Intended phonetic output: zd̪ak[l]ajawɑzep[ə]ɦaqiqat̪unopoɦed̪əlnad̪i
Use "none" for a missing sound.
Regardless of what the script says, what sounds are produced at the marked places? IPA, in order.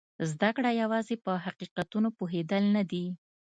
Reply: ɽ, ə

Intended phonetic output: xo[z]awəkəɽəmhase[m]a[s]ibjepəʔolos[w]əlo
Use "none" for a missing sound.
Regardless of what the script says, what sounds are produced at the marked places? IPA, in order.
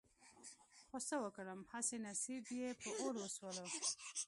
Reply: s, n, s, w

